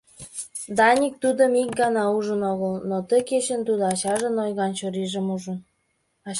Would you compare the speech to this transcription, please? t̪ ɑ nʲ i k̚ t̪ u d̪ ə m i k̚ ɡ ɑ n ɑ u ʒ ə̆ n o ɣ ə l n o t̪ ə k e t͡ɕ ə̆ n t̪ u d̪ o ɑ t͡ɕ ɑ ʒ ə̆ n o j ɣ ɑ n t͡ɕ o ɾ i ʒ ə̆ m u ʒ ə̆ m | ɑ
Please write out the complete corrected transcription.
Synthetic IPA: d̪ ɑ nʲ i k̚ t̪ u d̪ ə m i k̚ ɡ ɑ n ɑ u ʒ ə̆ n o ɣ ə l n o t̪ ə k e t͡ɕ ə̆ n t̪ u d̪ o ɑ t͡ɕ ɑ ʒ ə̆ n o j ɣ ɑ n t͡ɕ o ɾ i ʒ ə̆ m u ʒ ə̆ n | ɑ